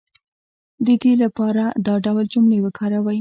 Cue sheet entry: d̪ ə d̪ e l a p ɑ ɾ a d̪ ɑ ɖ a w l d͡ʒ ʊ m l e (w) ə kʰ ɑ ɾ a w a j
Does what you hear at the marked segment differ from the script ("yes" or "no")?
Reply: no